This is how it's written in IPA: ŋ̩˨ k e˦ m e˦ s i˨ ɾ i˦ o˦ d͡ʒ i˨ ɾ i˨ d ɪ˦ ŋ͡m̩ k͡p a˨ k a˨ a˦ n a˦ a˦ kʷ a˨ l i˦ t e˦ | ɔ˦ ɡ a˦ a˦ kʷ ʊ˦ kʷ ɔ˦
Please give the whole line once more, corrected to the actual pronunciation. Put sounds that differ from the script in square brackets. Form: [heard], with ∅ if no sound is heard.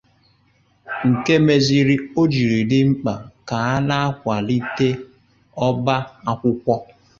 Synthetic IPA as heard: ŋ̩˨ k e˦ m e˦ [z] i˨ ɾ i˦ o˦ d͡ʒ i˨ ɾ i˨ d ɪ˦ ŋ͡m̩ k͡p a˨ k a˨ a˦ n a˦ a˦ kʷ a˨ l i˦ t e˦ | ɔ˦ [b] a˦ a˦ kʷ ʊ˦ kʷ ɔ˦